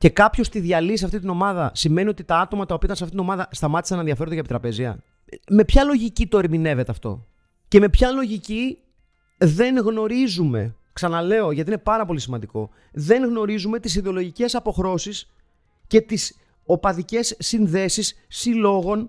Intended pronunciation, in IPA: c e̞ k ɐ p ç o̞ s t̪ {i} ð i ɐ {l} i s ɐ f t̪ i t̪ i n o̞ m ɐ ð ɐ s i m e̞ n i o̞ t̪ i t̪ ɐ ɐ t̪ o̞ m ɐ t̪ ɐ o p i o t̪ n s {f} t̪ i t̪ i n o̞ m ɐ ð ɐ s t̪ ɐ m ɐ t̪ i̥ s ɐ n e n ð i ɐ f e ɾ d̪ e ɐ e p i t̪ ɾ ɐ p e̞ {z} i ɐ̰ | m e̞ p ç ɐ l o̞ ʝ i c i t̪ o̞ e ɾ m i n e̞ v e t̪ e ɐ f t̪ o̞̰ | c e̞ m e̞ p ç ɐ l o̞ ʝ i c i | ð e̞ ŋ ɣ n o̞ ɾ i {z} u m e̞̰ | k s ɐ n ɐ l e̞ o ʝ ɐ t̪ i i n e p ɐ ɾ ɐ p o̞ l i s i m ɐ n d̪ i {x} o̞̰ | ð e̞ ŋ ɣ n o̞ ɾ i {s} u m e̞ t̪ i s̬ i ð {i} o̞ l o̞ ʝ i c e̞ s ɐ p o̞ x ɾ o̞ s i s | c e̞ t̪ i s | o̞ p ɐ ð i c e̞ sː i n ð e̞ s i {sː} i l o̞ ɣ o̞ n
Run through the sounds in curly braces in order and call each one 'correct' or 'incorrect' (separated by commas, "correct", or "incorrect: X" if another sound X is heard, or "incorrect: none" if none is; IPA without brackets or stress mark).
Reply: correct, correct, correct, correct, correct, incorrect: k, incorrect: z, incorrect: e, correct